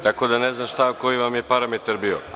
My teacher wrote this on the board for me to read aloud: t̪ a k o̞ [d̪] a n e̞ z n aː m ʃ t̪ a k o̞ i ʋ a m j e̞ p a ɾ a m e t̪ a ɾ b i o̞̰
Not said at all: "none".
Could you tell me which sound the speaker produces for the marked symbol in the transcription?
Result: d̪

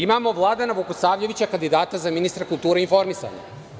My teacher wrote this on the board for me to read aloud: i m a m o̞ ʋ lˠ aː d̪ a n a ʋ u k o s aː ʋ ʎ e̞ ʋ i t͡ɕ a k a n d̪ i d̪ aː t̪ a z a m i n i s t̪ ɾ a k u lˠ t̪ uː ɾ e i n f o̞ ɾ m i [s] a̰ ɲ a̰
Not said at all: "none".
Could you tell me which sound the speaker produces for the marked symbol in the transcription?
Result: s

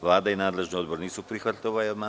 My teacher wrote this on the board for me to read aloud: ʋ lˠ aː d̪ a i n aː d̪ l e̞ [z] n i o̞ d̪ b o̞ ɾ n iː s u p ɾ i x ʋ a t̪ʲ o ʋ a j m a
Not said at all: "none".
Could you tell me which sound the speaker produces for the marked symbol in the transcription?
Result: ʒ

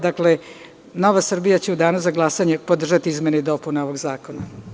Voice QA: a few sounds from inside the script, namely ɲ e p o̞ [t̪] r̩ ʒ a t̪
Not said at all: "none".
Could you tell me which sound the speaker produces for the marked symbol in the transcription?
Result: d̪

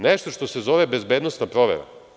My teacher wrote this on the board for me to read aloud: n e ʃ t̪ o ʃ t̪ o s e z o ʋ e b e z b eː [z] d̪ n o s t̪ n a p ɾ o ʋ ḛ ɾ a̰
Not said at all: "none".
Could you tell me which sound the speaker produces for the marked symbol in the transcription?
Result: none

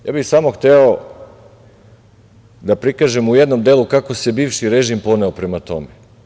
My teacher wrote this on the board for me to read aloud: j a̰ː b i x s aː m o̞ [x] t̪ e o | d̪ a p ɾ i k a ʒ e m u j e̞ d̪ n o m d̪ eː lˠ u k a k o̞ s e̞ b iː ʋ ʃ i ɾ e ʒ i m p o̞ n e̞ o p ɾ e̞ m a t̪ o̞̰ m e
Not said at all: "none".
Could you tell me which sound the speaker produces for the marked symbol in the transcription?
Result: x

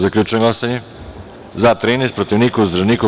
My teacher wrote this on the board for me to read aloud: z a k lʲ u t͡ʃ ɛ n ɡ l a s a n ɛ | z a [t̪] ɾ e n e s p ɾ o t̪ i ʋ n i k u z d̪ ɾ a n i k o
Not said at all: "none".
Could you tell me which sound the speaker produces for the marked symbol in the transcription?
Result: t̪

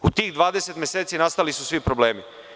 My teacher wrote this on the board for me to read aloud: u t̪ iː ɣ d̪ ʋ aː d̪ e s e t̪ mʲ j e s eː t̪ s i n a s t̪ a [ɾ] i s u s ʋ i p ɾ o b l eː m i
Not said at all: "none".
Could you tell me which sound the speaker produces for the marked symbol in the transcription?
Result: l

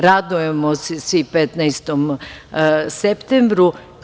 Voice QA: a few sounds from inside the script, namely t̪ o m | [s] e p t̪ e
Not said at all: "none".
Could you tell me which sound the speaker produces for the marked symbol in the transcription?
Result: s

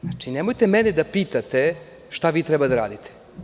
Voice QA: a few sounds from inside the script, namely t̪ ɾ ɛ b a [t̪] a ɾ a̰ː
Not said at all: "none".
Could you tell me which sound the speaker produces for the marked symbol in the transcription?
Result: d̪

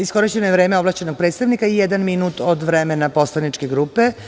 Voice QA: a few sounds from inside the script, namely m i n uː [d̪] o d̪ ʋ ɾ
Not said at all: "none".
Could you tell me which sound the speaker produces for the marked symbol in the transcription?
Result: t̪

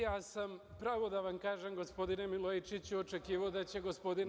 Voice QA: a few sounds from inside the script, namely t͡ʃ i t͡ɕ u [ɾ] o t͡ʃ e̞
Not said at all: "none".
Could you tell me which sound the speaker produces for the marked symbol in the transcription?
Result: none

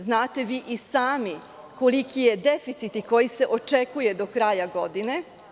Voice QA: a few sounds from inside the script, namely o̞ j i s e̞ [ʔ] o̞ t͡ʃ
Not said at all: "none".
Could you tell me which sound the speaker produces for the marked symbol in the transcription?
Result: ʔ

